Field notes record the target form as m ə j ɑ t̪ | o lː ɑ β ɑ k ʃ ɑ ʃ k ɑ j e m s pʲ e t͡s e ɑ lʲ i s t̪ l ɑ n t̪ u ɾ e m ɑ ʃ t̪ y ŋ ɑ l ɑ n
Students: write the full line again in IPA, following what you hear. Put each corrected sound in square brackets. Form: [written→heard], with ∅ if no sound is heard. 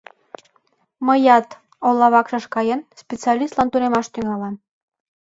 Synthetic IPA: m ə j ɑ t̪ | o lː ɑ β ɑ k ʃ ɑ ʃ k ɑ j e [m→n] s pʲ e t͡s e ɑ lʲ i s t̪ l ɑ n t̪ u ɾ e m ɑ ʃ t̪ y ŋ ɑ l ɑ n